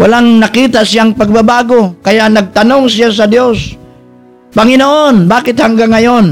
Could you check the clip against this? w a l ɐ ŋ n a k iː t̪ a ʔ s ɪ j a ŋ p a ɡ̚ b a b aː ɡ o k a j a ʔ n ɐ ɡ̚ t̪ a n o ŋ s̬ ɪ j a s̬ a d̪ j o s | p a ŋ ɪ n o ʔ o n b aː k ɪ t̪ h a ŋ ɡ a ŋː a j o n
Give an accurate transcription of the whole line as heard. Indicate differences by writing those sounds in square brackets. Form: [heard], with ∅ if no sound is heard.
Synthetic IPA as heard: w a l [a] ŋ n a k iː t̪ a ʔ s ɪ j a ŋ p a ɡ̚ b a b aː ɡ o k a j a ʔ n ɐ ɡ̚ t̪ a n o ŋ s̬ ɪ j a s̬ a d̪ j o s | p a ŋ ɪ n o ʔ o n b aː k ɪ t̪ h a ŋ ɡ a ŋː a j o n